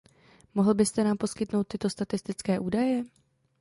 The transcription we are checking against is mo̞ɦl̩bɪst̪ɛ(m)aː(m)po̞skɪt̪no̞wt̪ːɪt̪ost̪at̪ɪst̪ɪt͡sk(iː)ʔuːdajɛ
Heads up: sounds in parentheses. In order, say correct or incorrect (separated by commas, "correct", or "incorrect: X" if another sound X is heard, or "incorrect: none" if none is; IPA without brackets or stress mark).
incorrect: n, correct, incorrect: ɛː